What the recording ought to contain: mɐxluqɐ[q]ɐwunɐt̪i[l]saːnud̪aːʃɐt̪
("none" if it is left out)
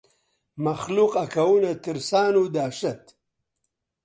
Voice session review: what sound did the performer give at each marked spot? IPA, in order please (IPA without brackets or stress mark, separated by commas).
k, ɾ